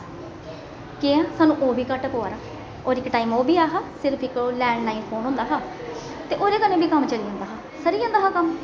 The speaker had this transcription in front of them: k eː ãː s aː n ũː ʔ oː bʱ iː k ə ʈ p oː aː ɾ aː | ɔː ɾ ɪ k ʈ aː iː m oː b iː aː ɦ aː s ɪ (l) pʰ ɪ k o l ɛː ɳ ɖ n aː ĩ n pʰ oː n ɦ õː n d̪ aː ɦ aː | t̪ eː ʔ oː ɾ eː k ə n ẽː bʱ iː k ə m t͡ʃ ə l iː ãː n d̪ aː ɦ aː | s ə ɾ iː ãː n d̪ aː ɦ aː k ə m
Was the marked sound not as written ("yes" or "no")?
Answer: yes